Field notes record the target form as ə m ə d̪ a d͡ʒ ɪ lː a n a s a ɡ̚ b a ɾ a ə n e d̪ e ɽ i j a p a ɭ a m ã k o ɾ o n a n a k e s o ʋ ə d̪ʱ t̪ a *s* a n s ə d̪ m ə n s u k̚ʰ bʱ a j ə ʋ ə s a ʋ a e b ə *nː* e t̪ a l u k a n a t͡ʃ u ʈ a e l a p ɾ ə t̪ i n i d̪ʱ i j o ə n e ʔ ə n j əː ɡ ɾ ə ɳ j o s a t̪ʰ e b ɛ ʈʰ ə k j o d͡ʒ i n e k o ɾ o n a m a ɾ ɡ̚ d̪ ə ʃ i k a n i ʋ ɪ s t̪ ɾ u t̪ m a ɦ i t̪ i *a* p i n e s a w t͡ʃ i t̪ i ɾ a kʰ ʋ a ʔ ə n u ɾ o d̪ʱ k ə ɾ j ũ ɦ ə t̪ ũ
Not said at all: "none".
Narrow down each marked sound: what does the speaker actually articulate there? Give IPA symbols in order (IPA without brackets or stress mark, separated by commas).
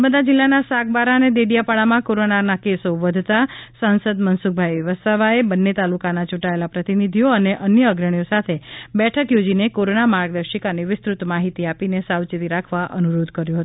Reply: s, nː, a